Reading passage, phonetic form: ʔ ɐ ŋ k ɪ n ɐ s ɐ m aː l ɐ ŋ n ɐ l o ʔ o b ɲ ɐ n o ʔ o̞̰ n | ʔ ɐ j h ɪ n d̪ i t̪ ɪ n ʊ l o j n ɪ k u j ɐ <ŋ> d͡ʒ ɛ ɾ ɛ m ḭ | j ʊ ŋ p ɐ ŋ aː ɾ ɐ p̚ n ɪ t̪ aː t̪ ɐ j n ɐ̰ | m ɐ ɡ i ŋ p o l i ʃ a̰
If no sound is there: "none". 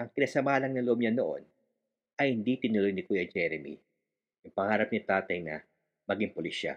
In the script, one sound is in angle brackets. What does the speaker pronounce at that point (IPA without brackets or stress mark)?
none